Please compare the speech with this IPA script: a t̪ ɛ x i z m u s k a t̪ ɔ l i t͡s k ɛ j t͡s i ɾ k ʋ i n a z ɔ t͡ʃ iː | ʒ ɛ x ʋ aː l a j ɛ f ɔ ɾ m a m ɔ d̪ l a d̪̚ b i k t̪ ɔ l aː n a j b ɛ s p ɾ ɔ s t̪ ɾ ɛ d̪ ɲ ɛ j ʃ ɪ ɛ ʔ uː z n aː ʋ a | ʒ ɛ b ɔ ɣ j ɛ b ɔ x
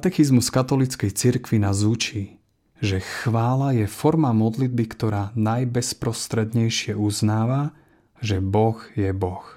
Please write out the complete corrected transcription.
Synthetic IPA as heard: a t̪ ɛ x i z m u s k a t̪ ɔ l i t͡s k ɛ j t͡s i ɾ k ʋ i n a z u t͡ʃ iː | ʒ ɛ x ʋ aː l a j ɛ f ɔ ɾ m a m ɔ d̪ l i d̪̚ b i k t̪ ɔ ɾ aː n a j b ɛ s p ɾ ɔ s t̪ ɾ ɛ d̪ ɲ ɛ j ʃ ɪ ɛ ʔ u z n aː ʋ a | ʒ ɛ b ɔ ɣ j ɛ b ɔ x